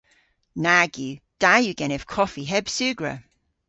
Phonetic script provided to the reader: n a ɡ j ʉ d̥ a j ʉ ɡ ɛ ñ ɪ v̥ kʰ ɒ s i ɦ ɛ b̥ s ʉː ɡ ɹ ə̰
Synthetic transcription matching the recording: n a ɡ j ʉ d̥ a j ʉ ɡ ɛ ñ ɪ v̥ kʰ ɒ f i ɦ ɛ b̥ s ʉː ɡ ɹ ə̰

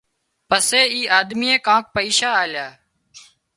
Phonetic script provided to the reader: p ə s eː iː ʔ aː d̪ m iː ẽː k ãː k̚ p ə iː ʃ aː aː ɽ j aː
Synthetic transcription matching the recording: p ə s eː iː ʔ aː d̪ m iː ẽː k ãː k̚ p ə iː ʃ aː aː l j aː

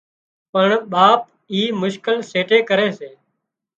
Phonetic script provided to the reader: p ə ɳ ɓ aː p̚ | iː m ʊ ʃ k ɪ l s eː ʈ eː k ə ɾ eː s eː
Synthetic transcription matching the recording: p ə ɳ ɓ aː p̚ | iː m ʊ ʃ k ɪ l s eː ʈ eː k ə ɾ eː s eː

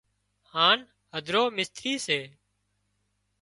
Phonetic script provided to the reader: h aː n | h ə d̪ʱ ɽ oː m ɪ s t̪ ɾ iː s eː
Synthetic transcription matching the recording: h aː n | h ə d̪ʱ ɾ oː m ɪ s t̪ ɾ iː s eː

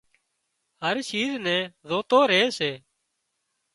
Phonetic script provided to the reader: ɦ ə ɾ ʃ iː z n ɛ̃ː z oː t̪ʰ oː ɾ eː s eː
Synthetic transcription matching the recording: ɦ ə ɾ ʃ iː z n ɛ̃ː z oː t̪ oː ɾ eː s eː

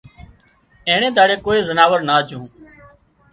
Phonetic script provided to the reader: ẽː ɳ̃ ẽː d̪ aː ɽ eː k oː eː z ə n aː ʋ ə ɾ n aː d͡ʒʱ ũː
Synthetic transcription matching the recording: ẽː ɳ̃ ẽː d̪ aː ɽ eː k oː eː z ə n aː ʋ ə ɾ n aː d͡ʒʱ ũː

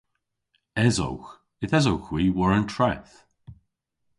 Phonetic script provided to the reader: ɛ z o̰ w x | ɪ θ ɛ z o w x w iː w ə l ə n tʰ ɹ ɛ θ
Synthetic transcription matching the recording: ɛ z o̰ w x | ɪ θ ɛ z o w x w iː w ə ɹ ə n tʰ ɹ ɛ θ

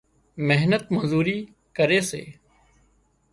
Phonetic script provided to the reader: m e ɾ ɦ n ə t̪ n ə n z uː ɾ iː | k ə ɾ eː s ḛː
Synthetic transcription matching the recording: m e ɦ n ə t̪ m ə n z uː ɾ iː | k ə ɾ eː s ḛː

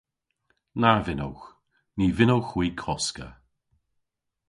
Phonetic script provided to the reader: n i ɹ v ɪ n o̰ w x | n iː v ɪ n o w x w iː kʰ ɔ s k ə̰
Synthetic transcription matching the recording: n a ɹ v ɪ n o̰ w x | n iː v ɪ n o w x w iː kʰ ɔ s k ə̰

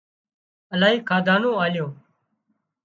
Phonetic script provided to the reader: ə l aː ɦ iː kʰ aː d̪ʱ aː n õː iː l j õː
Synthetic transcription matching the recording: ə l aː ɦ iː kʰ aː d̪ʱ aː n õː aː l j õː

